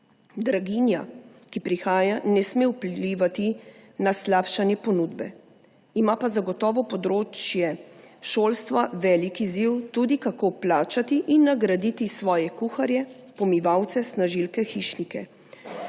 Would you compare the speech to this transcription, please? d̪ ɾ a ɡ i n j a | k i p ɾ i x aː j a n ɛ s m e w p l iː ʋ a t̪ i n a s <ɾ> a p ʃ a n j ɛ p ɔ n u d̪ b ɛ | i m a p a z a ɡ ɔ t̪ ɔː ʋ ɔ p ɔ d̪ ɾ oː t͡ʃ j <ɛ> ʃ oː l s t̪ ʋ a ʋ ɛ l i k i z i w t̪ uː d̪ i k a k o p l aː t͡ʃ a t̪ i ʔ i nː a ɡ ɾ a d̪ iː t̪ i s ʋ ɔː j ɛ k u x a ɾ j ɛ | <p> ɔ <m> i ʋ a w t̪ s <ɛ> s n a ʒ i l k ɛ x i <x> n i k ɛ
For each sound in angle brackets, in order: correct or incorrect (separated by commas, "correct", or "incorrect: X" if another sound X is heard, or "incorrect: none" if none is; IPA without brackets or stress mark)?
incorrect: l, correct, correct, correct, correct, incorrect: ʃ